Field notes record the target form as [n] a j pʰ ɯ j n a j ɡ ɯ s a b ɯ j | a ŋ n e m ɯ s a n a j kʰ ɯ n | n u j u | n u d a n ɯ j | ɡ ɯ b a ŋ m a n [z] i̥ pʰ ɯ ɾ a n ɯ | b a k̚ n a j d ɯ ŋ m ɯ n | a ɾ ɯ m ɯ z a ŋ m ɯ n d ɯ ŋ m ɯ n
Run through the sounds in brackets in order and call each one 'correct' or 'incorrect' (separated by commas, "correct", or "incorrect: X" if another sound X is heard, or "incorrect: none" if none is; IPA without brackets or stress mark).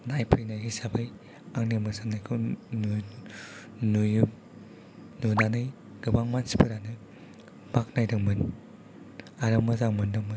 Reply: correct, incorrect: s